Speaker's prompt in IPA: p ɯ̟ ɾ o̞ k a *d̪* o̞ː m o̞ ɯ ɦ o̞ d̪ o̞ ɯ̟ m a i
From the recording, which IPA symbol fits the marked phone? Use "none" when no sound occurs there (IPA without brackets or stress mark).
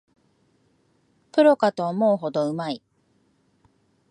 t̪